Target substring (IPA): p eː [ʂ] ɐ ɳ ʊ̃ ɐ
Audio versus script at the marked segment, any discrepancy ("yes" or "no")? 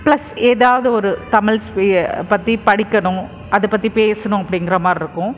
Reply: yes